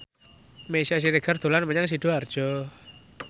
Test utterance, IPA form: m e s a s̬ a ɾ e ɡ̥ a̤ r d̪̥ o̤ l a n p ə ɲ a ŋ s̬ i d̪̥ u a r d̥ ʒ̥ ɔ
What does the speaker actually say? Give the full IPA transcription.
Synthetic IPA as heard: m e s a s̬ i ɾ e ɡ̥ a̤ r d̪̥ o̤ l a n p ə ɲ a ŋ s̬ i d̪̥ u a r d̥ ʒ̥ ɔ